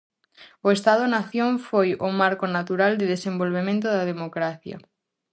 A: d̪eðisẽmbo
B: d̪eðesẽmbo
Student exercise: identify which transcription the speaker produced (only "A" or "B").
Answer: B